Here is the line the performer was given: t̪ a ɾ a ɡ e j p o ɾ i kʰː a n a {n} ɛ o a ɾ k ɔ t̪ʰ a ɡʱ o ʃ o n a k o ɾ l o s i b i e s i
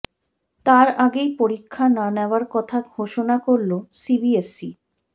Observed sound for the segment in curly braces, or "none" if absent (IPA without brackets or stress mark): n